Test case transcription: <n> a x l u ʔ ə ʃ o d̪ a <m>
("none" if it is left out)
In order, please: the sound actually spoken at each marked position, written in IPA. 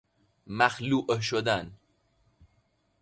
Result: m, n

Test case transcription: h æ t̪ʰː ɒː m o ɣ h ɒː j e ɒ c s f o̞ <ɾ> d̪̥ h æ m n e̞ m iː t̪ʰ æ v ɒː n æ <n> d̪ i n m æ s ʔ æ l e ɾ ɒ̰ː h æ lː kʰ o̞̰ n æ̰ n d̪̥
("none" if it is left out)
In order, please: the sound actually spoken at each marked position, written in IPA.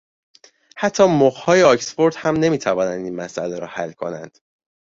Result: ɾ, n

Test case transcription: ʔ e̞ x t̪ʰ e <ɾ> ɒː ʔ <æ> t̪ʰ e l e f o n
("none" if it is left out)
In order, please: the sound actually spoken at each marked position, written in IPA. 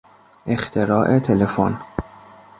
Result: ɾ, e

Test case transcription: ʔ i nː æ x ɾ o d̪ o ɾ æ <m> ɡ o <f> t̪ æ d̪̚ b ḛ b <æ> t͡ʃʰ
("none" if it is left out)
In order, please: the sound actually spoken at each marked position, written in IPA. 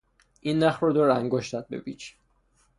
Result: ŋ, ʃ, i

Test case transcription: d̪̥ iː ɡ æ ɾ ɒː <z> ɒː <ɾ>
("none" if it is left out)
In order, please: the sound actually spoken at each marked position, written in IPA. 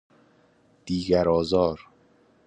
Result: z, ɾ

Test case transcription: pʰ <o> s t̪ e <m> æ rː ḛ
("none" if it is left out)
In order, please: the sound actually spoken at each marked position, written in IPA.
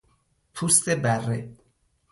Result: u, b

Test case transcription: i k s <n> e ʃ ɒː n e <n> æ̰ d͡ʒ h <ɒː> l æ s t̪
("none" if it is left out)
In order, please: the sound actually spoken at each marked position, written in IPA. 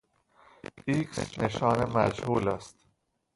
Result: n, m, uː

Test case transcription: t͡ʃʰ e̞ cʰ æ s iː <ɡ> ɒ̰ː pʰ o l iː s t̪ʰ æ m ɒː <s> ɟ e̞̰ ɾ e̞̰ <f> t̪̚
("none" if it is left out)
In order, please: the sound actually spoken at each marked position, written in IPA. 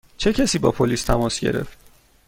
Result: b, s, f

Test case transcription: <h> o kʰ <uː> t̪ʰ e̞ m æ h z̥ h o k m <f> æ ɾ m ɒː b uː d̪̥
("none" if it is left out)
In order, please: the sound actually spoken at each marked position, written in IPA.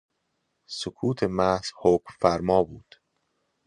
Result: s, uː, f

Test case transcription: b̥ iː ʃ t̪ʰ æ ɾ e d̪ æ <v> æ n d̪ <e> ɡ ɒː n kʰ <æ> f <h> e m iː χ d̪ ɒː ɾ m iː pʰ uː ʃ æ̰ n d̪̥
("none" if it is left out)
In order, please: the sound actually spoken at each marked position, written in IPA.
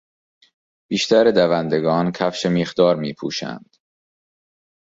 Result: v, e, æ, ʃ

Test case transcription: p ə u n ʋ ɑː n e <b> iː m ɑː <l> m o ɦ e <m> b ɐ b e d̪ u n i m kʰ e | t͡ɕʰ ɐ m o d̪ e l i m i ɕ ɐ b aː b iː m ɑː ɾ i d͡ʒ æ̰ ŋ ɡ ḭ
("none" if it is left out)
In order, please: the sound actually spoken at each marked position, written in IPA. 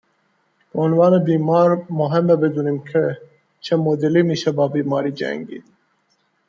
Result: b, ɾ, m

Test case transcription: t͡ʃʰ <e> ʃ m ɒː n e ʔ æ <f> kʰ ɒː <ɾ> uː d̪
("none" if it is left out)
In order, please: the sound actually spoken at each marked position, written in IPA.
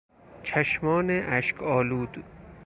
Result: æ, ʃ, l

